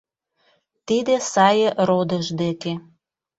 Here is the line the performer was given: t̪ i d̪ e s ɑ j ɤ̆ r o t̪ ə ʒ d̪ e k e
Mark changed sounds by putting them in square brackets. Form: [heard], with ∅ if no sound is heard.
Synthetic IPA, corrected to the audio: t̪ i d̪ e s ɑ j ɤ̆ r o [d̪] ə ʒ d̪ e k e